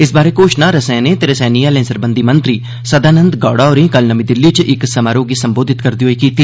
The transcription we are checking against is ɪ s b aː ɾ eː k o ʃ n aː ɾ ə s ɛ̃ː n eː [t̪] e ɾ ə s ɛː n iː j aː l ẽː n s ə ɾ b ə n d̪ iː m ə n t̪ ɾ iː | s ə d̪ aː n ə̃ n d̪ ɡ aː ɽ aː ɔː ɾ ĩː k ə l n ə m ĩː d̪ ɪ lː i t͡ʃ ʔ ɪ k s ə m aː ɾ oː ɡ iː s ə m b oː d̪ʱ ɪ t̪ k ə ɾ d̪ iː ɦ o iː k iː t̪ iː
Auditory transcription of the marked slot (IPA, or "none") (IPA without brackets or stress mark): t̪